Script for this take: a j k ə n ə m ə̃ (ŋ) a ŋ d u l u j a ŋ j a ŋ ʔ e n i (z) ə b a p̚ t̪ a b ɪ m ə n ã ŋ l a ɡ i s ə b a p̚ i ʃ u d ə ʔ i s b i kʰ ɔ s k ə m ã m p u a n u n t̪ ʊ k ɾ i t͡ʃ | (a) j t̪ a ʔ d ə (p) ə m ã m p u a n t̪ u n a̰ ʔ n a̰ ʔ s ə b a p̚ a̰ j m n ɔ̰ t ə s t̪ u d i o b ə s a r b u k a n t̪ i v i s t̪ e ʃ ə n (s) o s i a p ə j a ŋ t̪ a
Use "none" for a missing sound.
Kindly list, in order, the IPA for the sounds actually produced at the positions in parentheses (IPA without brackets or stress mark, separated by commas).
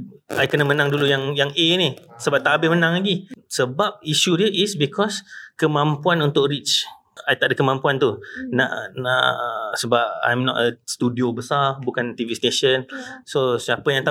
n, s, a, k, s